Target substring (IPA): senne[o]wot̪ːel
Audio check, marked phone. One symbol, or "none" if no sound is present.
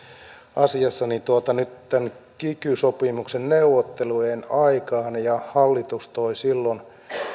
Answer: u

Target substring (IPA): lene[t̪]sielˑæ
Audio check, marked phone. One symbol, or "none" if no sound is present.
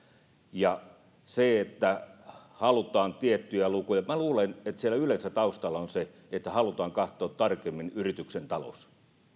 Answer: t̪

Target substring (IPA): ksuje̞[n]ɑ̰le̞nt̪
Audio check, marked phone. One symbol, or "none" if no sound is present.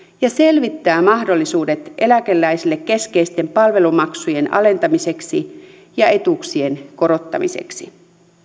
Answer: n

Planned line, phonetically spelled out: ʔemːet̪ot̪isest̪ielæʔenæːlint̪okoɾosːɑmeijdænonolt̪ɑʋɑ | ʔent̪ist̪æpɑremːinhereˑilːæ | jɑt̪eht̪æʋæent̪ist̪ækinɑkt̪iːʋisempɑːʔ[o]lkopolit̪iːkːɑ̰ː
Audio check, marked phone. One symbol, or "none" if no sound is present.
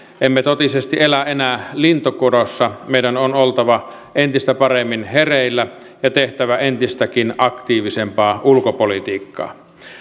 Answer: u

